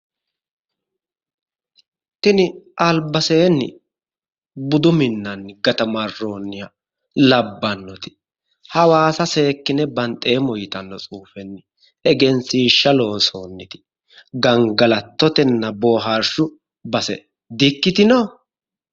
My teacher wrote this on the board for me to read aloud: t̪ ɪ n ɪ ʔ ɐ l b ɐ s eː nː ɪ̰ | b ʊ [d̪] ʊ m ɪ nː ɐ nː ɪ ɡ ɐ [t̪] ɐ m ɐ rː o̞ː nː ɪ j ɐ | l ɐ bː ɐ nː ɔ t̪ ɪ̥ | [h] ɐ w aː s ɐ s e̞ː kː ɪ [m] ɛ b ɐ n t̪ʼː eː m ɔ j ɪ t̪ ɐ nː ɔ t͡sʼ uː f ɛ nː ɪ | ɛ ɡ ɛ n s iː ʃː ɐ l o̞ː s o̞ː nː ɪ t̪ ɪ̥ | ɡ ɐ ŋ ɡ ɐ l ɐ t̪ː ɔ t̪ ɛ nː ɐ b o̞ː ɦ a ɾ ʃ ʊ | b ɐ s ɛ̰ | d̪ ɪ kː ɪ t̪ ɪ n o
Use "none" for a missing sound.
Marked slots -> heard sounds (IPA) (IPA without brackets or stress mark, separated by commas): d̪, t̪, h, n